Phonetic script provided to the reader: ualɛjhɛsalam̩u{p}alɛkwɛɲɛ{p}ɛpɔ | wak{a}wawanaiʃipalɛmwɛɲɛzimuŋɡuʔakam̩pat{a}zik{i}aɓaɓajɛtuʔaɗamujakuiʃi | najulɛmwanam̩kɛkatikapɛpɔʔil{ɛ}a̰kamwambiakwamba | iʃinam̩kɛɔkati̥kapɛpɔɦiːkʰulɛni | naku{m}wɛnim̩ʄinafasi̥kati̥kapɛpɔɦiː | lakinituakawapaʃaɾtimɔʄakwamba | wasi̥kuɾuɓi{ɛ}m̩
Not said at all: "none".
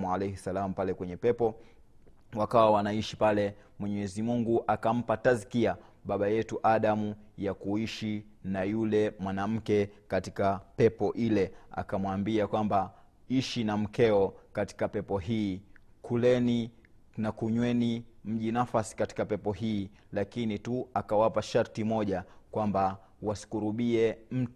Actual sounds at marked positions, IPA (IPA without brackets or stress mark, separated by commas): p, p, a, a, i, ɛ, ɲ, ɛ